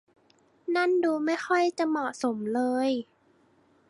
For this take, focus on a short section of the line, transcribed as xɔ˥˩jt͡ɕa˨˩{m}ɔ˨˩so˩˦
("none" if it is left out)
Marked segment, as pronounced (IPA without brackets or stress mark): m